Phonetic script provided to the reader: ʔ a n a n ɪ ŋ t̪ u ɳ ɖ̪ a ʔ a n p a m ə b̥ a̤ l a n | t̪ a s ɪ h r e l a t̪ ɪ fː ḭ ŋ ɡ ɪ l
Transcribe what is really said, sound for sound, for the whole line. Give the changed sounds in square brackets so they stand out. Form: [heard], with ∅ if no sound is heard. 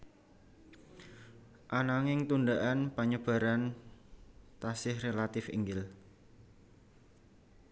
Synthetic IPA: ʔ a n a [ŋ] ɪ ŋ t̪ u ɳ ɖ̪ a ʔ a n p a [ɲ] ə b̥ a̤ [ɾ] a n | t̪ a s ɪ h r e l a t̪ ɪ [f] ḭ ŋ ɡ ɪ l